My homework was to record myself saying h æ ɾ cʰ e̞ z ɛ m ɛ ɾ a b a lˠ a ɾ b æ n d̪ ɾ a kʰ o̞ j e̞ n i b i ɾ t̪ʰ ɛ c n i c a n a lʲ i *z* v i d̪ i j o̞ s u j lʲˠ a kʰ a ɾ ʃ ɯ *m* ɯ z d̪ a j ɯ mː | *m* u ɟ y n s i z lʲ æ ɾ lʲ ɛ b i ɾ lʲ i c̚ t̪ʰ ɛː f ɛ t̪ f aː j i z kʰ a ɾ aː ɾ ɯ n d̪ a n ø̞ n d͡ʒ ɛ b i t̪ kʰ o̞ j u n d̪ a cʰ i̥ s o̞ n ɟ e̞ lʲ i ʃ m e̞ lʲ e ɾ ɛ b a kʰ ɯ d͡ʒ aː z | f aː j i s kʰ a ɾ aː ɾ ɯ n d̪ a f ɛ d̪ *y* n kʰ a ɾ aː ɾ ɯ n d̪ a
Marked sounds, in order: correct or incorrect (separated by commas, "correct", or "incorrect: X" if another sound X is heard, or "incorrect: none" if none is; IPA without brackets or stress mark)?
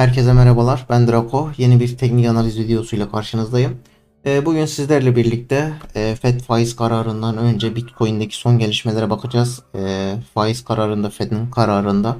correct, incorrect: n, incorrect: b, incorrect: i